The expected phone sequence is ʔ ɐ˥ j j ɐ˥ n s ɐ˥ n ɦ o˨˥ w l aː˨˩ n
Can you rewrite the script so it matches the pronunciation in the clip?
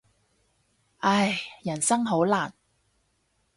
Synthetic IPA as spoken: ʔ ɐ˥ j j ɐ˨˩ n s ɐ˥ ŋ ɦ o˨˥ w l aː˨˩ n